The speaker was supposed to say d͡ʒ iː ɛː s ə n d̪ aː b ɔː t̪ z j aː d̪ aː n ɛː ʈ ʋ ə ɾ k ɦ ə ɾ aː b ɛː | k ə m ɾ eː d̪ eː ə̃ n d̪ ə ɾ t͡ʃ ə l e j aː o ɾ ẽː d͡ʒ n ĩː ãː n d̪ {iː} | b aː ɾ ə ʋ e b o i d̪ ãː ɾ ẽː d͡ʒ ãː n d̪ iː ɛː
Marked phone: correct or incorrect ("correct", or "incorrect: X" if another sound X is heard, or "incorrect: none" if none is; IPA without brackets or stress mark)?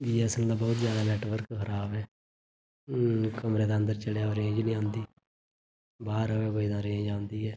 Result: correct